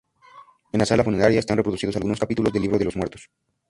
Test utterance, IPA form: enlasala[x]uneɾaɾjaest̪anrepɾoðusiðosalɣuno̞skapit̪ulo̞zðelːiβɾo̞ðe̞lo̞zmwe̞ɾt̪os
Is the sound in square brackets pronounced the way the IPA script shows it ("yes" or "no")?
no